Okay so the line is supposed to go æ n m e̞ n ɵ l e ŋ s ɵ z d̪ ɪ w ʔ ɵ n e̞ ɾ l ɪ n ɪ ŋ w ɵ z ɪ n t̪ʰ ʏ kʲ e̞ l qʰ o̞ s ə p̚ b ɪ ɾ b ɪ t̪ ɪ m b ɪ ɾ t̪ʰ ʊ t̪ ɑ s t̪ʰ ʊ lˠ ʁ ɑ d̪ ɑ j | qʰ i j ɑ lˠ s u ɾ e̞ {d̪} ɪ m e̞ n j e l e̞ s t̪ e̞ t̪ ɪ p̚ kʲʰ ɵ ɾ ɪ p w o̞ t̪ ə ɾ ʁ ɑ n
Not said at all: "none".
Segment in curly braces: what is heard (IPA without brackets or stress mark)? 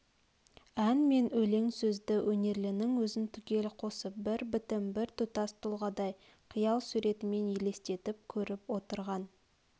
t̪